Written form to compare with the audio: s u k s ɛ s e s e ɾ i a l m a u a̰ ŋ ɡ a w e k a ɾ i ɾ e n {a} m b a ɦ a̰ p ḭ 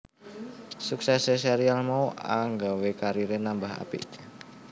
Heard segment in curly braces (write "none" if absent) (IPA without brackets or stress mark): a